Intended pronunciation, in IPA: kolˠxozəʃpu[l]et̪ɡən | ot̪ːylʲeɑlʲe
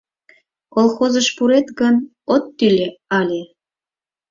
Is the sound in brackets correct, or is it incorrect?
incorrect